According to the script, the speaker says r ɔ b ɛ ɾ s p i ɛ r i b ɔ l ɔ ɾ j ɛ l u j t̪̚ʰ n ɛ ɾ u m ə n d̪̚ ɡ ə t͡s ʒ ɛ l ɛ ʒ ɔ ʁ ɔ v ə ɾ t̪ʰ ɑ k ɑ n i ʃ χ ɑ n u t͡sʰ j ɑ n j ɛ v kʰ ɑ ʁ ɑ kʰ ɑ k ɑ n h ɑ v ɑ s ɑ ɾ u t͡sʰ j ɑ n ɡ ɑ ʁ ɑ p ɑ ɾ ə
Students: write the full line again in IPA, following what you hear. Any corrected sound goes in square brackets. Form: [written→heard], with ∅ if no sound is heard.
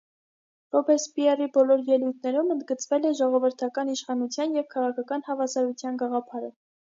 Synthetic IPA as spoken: r ɔ b ɛ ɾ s p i ɛ r i b ɔ l ɔ ɾ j ɛ l u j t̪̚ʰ n ɛ ɾ u m ə n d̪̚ ɡ ə t͡s [ʒ→v] ɛ l ɛ ʒ ɔ ʁ ɔ v ə ɾ t̪ʰ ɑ k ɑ n i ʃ χ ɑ n u t͡sʰ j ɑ n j ɛ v kʰ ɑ ʁ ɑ kʰ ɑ k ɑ n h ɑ v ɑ s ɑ ɾ u t͡sʰ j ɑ n ɡ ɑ ʁ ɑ [p→pʰ] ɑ ɾ ə